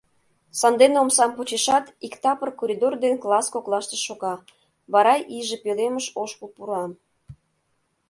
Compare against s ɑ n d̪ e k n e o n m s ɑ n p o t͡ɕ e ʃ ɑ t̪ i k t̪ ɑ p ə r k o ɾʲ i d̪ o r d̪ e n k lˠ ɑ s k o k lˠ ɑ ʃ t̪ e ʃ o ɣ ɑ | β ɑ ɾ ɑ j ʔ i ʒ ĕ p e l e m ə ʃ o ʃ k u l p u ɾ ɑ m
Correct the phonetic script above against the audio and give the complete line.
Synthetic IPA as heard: s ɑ n d̪ e n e o m s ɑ m p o t͡ɕ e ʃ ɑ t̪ i k t̪ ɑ p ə r k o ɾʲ i d̪ o r d̪ e n k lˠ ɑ s k o k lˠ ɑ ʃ t̪ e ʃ o ɣ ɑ | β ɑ ɾ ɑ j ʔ i ʒ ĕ p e l e m ə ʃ o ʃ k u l p u ɾ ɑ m